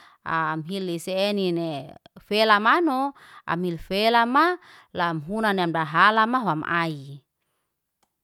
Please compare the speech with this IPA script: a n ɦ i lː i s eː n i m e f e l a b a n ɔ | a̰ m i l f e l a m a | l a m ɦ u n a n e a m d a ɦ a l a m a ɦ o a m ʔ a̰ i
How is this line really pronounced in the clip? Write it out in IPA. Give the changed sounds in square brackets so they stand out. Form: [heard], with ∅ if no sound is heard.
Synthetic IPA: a [m] ɦ i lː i s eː n i [n] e f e l a [m] a n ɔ | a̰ m i l f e l a m a | l a m ɦ u n a n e a m d a ɦ a l a m a ɦ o a m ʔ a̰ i